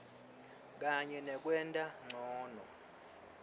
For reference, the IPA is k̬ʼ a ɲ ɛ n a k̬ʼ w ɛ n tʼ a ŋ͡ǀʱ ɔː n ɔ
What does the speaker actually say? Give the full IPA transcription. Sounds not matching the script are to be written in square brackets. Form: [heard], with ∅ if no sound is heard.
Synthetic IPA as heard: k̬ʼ a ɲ ɛ n [ɛ] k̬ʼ w ɛ n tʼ a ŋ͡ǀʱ ɔː n ɔ